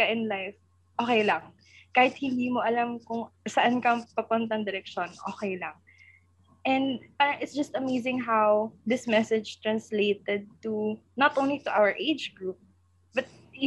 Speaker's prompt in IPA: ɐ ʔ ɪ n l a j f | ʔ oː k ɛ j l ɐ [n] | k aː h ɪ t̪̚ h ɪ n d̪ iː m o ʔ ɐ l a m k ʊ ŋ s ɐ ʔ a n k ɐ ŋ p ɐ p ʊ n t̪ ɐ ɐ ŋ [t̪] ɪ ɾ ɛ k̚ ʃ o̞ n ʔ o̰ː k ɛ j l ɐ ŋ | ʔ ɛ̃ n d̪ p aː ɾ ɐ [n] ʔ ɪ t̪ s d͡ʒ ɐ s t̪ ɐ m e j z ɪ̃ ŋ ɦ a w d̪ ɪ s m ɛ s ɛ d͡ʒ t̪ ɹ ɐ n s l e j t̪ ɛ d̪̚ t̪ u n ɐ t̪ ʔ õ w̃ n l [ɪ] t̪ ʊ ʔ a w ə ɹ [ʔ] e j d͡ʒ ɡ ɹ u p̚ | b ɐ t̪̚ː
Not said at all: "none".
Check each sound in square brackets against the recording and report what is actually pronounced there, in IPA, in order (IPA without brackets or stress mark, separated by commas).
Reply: ŋ, d̪, ŋ, i, ʔ